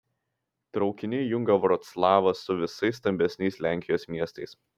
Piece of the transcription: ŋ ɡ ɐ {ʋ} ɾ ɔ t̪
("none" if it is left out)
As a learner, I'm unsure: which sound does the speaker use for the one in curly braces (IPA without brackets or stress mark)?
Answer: ʋ